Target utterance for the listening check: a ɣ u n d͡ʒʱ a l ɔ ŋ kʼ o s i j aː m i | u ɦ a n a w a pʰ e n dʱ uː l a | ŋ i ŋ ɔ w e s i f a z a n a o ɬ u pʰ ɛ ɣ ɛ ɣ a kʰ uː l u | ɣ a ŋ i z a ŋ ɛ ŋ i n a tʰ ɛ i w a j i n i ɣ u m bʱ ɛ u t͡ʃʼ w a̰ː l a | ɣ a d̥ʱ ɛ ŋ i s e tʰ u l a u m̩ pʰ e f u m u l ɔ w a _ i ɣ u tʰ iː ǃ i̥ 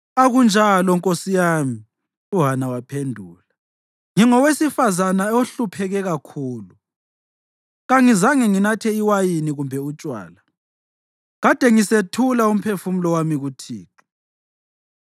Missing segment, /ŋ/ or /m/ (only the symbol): m